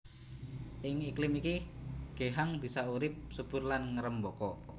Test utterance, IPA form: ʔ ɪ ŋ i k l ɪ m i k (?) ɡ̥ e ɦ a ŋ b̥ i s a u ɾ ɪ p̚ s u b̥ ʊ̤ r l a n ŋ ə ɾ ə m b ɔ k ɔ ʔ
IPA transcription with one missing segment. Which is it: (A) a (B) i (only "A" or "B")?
B